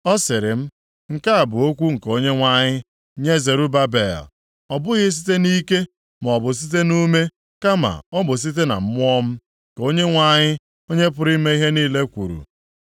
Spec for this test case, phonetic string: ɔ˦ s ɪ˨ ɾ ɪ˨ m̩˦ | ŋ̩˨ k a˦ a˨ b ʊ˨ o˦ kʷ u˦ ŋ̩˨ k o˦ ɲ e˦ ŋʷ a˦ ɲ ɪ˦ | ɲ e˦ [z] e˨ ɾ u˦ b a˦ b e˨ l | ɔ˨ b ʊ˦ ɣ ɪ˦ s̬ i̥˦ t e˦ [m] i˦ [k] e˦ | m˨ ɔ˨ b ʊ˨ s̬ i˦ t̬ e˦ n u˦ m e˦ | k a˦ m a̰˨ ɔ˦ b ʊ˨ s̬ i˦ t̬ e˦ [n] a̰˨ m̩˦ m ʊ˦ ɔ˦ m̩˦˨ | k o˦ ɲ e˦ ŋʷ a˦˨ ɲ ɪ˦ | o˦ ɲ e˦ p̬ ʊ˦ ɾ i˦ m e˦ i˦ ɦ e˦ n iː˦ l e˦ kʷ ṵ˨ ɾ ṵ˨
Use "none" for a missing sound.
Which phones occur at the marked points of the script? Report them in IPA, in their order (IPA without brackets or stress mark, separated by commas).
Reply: z, n, k, n